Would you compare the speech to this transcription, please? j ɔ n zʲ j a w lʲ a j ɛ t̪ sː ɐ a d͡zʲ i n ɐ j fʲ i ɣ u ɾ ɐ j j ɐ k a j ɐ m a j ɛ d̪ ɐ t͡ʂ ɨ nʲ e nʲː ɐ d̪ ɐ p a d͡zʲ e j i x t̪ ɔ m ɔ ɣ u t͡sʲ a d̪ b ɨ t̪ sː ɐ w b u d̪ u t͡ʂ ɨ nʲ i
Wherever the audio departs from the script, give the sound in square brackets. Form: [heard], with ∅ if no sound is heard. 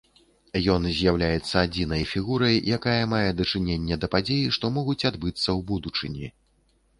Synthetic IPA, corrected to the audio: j ɔ n zʲ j a w lʲ a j ɛ t̪ sː ɐ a d͡zʲ i n ɐ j fʲ i ɣ u ɾ ɐ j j [a] k a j ɐ m a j ɛ d̪ ɐ t͡ʂ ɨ nʲ e nʲː ɐ d̪ ɐ p a d͡zʲ e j i [ʂ] t̪ ɔ m ɔ ɣ u t͡sʲ a d̪ b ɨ t̪ sː ɐ w b u d̪ u t͡ʂ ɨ nʲ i